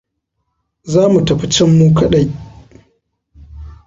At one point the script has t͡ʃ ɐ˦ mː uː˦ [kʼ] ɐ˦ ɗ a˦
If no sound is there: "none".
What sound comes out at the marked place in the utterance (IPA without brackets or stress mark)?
k